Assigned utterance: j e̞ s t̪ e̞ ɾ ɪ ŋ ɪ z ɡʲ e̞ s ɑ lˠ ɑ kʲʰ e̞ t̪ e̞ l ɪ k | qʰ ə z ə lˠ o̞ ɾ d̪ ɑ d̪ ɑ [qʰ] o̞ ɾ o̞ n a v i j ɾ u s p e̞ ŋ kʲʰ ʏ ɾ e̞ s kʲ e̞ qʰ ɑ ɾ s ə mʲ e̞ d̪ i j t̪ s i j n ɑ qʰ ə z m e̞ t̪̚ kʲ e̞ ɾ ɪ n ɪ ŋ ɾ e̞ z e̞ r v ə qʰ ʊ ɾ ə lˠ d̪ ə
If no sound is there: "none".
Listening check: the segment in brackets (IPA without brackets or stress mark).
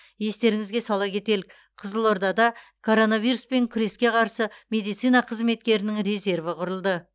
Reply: kʰ